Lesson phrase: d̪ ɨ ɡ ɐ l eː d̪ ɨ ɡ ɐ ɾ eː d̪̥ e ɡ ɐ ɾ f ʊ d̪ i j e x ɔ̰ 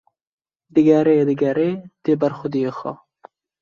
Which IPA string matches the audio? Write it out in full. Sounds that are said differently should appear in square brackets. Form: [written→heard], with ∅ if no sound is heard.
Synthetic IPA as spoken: d̪ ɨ ɡ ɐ [l→ɾ] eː d̪ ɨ ɡ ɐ ɾ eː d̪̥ e [ɡ→b] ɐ ɾ [f→x] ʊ d̪ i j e x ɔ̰